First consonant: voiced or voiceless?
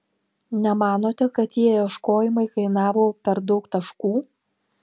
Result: voiced